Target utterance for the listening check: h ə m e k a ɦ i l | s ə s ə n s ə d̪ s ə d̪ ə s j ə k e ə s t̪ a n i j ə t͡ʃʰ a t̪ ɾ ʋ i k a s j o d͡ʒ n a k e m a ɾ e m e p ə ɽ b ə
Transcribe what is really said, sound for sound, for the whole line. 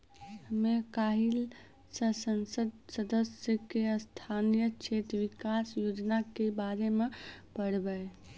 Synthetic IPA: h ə m e k a ɦ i l | s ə s ə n s ə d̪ s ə d̪ ə s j ə k e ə s t̪ʰ a n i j ə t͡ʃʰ e t̪ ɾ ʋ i k a s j o d͡ʒ n a k e b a ɾ e m e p ə ɽ b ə